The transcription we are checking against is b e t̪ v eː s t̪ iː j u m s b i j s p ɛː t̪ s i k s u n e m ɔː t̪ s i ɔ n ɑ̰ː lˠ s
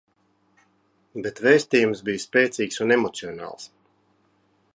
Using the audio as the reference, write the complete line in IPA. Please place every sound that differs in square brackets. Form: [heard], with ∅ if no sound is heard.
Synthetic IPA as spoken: b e t̪ v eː s t̪ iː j u m s b i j s p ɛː t̪ s [iː] k s u n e m [ɔ] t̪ s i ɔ n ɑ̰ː lˠ s